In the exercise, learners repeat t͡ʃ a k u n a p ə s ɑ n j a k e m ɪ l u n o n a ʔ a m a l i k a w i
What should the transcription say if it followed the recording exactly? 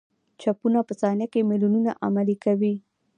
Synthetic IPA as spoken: t͡ʃ a p u n a p ə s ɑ n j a k e m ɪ l u n u n a ʔ a m a l i k a w i